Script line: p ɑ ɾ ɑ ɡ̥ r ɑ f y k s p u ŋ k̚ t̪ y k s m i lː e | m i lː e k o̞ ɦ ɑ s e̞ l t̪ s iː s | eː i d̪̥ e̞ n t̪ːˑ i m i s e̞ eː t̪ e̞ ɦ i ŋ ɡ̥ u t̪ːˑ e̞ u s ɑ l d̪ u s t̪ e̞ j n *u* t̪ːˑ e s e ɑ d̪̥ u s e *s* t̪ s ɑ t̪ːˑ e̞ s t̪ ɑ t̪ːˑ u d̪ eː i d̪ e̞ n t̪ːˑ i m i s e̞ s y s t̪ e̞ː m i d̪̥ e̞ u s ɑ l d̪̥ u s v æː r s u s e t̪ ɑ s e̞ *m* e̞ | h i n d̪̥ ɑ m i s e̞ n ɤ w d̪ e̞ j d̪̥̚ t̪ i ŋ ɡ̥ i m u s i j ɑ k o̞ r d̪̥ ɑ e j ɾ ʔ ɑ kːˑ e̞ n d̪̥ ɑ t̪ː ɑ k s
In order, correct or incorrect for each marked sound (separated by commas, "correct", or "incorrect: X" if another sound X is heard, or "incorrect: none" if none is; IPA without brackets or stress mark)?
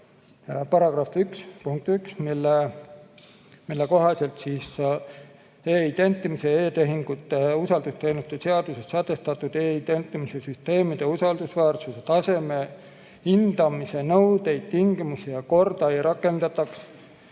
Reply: correct, correct, correct